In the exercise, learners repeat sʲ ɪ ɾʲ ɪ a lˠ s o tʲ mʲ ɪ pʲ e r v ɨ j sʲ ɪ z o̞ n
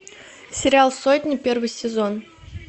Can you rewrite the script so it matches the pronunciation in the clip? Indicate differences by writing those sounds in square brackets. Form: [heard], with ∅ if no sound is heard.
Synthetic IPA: sʲ ɪ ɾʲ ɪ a lˠ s o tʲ [nʲ] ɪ pʲ e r v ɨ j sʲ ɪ z o̞ n